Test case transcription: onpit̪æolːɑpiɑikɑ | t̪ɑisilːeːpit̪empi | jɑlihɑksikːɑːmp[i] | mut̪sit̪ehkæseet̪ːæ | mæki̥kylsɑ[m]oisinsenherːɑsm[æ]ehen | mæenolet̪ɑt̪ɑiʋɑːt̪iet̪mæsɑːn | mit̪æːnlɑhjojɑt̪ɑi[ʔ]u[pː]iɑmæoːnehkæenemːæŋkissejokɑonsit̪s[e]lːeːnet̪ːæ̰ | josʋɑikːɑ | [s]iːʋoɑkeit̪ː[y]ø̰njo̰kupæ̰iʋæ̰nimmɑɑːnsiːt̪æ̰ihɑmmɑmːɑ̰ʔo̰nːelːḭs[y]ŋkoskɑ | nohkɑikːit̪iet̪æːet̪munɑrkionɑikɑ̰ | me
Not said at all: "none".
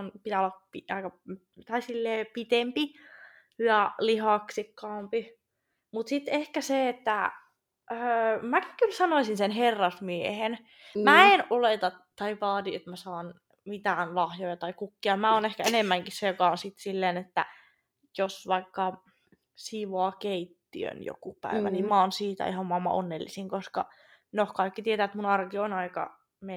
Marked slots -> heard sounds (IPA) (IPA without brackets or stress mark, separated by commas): i, n, i, k, kː, i, s, i, i